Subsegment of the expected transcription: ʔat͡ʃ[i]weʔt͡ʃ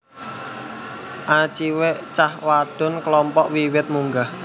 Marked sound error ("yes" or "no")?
no